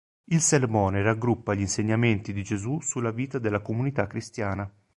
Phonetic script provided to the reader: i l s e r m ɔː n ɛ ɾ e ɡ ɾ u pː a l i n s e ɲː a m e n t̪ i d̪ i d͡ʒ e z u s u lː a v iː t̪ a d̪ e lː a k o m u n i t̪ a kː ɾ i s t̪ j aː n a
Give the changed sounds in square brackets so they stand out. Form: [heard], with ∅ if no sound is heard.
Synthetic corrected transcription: i l s e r m ɔː n [e] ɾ [a] ɡ ɾ u pː a [ʎ] i n s e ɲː a m e n t̪ i d̪ i d͡ʒ e z u s u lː a v iː t̪ a d̪ e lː a k o m u n i t̪ a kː ɾ i s t̪ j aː n a